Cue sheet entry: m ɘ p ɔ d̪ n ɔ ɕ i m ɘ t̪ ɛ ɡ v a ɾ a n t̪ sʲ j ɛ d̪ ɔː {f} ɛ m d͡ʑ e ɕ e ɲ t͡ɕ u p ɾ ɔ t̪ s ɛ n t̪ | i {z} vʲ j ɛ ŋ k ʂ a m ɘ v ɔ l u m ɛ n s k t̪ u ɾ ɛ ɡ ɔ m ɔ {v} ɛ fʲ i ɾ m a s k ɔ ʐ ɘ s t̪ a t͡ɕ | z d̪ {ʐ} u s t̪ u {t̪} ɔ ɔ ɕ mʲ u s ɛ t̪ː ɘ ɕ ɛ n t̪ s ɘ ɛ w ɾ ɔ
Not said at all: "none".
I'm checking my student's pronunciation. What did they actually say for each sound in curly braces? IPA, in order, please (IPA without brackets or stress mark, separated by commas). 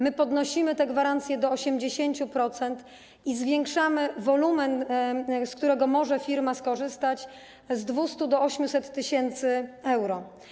ɕ, z, ʐ, v, d̪